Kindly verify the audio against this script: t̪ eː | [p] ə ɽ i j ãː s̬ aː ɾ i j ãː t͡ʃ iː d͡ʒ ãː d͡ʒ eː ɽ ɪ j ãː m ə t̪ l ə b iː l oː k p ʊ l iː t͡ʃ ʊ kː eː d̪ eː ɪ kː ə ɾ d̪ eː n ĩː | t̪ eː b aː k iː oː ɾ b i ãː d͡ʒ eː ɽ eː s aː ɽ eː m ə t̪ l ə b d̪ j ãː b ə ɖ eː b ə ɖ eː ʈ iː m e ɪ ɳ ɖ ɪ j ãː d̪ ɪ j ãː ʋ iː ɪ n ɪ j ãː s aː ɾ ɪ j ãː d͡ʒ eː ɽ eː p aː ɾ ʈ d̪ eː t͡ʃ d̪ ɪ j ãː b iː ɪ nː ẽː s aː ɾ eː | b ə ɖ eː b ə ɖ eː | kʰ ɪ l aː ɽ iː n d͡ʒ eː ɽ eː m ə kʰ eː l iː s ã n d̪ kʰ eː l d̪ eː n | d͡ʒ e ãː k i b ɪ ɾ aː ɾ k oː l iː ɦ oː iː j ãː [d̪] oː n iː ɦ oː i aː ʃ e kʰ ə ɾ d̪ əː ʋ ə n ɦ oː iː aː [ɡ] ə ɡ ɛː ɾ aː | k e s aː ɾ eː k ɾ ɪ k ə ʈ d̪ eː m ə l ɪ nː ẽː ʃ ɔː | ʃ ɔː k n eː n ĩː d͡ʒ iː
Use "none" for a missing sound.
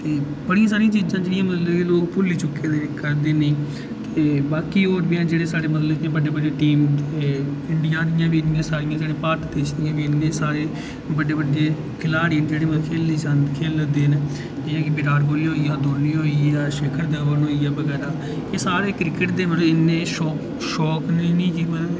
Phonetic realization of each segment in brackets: b, d̪, b

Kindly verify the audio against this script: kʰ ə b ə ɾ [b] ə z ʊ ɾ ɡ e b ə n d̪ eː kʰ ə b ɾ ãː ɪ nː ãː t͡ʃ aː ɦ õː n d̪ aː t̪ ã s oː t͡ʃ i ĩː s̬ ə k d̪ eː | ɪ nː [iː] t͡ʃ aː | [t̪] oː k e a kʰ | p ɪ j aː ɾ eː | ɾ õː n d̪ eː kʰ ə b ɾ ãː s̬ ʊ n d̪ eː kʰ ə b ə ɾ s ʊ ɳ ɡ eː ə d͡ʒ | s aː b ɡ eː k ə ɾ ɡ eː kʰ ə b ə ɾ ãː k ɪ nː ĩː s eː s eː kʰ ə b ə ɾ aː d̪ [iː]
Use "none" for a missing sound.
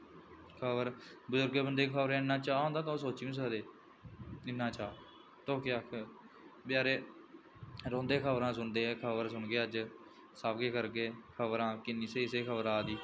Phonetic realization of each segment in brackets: b, aː, t̪, iː

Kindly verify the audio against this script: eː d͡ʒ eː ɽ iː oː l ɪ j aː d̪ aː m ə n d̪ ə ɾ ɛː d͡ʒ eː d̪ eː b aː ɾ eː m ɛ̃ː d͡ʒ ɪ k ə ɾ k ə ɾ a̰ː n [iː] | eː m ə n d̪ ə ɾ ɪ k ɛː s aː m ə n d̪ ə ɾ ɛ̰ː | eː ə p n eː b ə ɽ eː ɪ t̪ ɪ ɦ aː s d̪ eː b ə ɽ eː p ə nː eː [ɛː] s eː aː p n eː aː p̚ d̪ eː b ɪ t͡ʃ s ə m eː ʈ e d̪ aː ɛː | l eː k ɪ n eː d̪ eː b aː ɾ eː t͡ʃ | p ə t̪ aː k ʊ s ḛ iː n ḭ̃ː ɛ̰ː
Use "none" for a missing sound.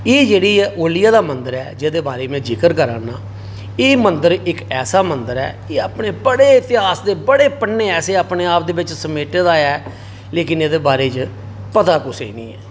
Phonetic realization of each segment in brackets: aː, ɛː

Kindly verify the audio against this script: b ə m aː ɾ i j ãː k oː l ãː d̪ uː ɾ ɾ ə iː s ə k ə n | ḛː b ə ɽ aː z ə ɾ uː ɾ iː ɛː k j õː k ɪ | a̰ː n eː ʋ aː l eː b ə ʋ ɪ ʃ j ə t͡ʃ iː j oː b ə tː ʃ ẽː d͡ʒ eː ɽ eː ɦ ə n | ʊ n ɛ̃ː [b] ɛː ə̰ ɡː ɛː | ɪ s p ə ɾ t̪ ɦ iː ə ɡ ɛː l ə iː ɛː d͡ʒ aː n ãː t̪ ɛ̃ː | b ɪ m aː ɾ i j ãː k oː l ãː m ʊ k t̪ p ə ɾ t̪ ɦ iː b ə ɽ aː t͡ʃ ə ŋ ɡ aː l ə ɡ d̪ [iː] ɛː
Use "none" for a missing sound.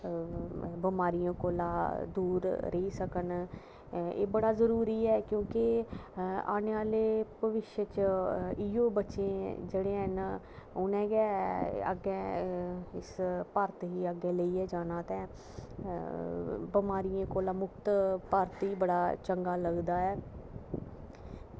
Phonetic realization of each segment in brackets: ɡ, aː

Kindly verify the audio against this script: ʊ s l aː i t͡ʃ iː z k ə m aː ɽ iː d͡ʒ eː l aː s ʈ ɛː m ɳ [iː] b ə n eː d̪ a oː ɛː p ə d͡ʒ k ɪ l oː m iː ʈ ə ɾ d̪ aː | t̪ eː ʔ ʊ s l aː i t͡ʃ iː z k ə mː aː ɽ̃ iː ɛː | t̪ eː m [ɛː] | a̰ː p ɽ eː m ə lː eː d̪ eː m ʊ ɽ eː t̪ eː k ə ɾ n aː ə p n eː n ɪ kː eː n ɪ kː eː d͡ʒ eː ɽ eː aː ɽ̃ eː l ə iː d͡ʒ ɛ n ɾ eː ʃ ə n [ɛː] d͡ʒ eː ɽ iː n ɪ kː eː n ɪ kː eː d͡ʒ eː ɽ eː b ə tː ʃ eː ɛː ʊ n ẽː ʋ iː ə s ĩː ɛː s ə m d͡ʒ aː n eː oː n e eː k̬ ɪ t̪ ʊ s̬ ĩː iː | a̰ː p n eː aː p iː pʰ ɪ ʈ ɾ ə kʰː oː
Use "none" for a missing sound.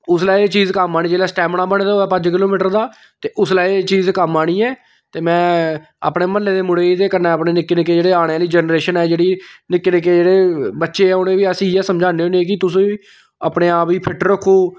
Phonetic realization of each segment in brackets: aː, ɛ̃ː, ɛː

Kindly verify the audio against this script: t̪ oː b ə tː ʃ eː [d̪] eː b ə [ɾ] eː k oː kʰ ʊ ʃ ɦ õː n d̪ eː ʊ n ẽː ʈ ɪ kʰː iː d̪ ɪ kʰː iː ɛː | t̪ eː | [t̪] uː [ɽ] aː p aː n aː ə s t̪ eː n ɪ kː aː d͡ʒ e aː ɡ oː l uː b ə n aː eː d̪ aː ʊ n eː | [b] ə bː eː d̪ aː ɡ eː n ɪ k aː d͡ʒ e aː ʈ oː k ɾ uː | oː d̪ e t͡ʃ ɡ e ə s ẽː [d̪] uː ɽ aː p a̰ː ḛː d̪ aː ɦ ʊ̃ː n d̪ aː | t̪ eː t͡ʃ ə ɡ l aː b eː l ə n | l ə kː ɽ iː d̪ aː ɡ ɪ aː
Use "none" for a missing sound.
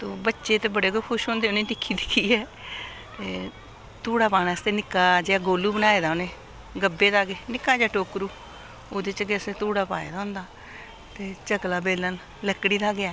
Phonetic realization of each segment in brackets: t̪, ɽ, t̪, ɽ, ɡ, t̪

